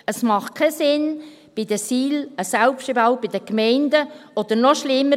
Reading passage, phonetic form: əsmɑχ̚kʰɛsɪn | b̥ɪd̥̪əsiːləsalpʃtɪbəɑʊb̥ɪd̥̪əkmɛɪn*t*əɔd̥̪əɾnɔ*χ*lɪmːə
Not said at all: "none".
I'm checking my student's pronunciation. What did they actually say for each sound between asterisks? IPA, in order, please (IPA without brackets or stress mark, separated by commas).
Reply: d, ʃ